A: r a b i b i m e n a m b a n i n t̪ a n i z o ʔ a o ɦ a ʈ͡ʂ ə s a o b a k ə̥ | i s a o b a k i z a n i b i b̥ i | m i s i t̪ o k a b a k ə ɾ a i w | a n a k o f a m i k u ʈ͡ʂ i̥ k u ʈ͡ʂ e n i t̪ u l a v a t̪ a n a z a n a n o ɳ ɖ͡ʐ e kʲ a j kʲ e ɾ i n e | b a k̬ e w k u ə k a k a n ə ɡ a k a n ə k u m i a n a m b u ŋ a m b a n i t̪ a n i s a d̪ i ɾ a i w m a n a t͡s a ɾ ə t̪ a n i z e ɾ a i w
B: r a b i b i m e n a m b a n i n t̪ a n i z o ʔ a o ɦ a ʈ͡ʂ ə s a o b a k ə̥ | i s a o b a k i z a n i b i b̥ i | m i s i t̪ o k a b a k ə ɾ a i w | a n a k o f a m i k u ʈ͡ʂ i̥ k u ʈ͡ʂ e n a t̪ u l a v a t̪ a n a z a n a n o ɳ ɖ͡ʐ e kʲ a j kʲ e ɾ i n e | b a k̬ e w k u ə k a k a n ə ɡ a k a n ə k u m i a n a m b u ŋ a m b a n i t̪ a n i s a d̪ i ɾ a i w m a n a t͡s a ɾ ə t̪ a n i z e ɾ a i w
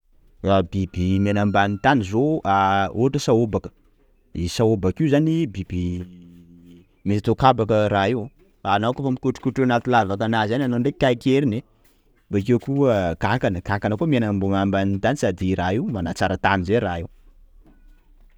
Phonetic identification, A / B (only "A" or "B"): B